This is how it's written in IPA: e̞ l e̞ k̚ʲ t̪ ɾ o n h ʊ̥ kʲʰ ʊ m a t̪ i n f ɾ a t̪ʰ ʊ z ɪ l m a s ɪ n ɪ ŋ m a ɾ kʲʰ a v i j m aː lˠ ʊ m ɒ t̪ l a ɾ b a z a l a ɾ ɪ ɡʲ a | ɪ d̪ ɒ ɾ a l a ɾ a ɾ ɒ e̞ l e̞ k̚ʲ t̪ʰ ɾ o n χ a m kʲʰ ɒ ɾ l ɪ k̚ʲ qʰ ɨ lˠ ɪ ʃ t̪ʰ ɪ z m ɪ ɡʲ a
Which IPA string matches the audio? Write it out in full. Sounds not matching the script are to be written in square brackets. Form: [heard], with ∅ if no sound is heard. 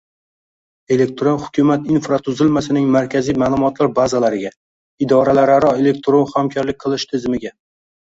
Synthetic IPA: e̞ l e̞ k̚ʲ t̪ ɾ o n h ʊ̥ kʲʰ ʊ m a t̪ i n f ɾ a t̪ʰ ʊ z ɪ l m a s ɪ n ɪ ŋ m a ɾ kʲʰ a [z] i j m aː lˠ ʊ m ɒ t̪ l a ɾ b a z a l a ɾ ɪ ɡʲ a | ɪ d̪ ɒ ɾ a l a ɾ a ɾ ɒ e̞ l e̞ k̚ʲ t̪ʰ ɾ o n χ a m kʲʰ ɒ ɾ l ɪ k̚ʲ qʰ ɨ lˠ ɪ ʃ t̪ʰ ɪ z m ɪ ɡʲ a